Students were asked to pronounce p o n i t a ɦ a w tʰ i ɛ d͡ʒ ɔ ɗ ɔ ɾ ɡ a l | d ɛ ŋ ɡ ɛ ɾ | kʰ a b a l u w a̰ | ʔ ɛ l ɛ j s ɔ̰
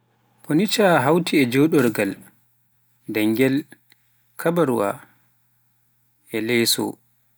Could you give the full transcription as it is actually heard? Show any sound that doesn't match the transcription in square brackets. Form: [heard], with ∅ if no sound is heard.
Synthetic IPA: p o n i [t͡ʃ] a ɦ a w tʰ i ɛ d͡ʒ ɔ ɗ ɔ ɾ ɡ a l | d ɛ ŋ ɡ ɛ [l] | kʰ a b a [ɾ] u w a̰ | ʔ ɛ l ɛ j s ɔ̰

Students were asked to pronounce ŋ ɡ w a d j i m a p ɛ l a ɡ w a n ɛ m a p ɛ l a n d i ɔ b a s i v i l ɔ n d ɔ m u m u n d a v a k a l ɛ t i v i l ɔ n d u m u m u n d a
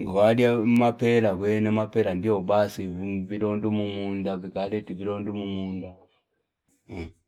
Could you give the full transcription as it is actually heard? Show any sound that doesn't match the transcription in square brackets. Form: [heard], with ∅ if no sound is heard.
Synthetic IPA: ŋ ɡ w a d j [a] m a p ɛ l a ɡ w [ɛ] n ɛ m a p ɛ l a n d i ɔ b a s i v i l ɔ n d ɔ m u m u n d a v [i] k a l ɛ t i v i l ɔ n d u m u m u n d a

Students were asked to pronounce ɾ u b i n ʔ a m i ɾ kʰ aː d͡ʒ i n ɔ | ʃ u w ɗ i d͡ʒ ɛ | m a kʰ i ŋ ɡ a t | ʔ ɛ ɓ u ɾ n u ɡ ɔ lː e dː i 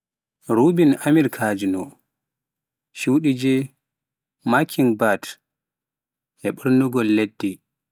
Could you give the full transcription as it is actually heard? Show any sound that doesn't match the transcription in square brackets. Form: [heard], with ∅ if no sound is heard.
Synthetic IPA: ɾ u b i n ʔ a m i ɾ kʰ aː d͡ʒ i n ɔ | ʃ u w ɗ i d͡ʒ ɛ | m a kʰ i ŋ [b] a t | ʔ ɛ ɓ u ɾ n u ɡ ɔ lː e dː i

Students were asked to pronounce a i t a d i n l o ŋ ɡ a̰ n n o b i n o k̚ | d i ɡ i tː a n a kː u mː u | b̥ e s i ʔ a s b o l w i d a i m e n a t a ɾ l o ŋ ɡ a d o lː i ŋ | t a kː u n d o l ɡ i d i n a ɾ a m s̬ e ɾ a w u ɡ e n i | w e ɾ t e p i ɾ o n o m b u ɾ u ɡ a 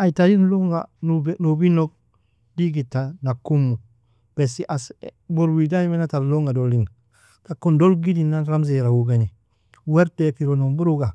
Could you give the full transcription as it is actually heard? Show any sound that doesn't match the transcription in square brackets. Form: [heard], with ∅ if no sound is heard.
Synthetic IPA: a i t a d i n l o ŋ ɡ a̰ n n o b i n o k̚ | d i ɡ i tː a n a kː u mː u | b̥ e s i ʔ a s b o [ɾ] w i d a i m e n a t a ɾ l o ŋ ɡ a d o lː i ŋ | t a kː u n d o l ɡ i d i n a ɾ a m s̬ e ɾ a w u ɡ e n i | w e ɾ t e p i ɾ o n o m b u ɾ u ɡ a

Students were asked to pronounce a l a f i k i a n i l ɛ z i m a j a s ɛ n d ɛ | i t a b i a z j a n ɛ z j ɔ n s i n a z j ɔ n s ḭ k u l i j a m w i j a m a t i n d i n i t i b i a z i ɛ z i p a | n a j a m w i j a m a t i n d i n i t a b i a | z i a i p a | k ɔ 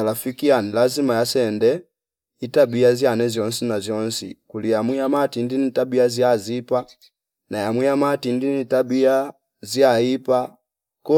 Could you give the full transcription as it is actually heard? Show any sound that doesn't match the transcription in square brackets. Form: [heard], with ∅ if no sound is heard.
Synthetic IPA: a l a f i k i a n i l [a] z i m a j a s ɛ n d ɛ | i t a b i a z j a n ɛ z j ɔ n s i n a z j ɔ n s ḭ k u l i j a m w i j a m a t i n d i n i t [a] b i a z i [a] z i p a | n a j a m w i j a m a t i n d i n i t a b i a | z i a i p a | k ɔ

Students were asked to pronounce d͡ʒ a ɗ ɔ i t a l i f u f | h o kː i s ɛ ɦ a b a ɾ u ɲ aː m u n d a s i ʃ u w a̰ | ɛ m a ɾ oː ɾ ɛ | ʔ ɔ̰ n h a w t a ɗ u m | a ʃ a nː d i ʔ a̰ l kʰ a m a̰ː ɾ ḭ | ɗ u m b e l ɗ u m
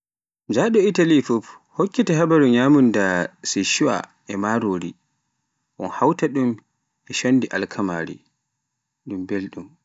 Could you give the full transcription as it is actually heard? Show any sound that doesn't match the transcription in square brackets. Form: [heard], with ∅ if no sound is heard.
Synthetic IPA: d͡ʒ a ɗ ɔ i t a l i f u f | h o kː i [t] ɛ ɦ a b a ɾ u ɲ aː m u n d a s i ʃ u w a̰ | ɛ m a ɾ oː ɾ [i] | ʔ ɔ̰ n h a w t a ɗ u m | [ɛ] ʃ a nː d i ʔ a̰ l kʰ a m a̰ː ɾ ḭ | ɗ u m b e l ɗ u m

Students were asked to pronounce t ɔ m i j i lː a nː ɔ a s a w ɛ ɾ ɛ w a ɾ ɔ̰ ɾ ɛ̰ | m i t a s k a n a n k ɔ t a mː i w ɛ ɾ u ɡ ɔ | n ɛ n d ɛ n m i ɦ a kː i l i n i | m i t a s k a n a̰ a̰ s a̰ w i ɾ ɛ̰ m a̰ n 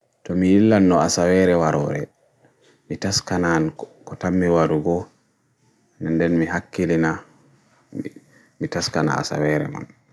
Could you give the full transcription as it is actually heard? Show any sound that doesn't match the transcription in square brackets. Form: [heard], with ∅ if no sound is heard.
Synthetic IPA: t ɔ m i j i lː a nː ɔ a s a w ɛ ɾ ɛ w a ɾ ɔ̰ ɾ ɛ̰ | m i t a s k a n a n k ɔ t a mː i w [a] ɾ u ɡ ɔ | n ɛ n d ɛ n m i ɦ a kː i l i n [a] | m i t a s k a n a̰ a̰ s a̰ w [ɛ] ɾ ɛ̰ m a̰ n

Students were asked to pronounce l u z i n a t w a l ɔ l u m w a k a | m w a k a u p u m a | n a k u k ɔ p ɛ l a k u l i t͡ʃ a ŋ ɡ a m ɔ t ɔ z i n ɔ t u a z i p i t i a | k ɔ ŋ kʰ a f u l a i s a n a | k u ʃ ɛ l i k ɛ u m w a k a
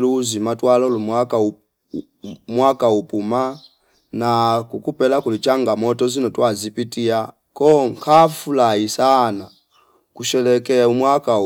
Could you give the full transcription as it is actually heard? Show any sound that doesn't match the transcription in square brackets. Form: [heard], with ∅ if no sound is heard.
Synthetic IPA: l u z i [m] a t w a l ɔ l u m w a k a | m w a k a u p u m a | n a k u k [u] p ɛ l a k u l i t͡ʃ a ŋ ɡ a m ɔ t ɔ z i n ɔ t [w] a z i p i t i a | k ɔ ŋ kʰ a f u l a i s a n a | k u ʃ ɛ l [ɛ] k ɛ u m w a k a

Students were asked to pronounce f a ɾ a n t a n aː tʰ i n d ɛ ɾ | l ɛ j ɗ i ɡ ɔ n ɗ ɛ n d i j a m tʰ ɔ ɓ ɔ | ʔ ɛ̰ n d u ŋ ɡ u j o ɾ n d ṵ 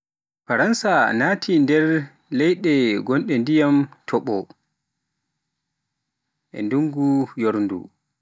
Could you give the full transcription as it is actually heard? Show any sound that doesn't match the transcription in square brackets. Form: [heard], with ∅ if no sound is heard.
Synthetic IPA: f a ɾ a n [s] a n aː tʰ i n d ɛ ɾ | l ɛ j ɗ [ɛ] ɡ ɔ n ɗ ɛ n d i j a m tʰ ɔ ɓ ɔ | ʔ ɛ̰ n d u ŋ ɡ u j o ɾ n d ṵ

